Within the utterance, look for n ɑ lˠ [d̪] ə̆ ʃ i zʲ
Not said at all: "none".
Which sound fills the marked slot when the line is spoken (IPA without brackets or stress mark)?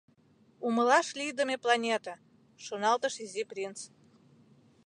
t̪